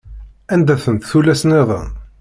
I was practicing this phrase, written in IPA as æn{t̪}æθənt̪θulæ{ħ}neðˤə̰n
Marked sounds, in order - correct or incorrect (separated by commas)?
incorrect, incorrect